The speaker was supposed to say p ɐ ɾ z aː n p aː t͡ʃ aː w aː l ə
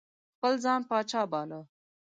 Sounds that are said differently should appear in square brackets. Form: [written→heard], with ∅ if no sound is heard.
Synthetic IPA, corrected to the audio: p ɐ [ɾ→l] z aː n p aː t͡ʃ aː [w→b] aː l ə